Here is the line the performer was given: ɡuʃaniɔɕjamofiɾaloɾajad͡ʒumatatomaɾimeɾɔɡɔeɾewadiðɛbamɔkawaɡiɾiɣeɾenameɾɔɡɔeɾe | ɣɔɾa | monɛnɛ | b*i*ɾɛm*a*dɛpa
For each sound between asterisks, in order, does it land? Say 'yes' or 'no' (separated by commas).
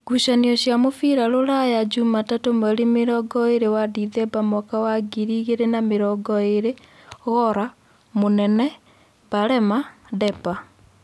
no, yes